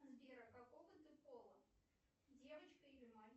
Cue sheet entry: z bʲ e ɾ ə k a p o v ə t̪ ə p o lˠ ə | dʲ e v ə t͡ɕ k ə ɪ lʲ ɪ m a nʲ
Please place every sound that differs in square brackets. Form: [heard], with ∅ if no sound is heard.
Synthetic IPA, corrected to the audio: z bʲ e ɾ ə k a [k] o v ə t̪ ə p o lˠ ə | dʲ e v ə t͡ɕ k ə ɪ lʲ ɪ m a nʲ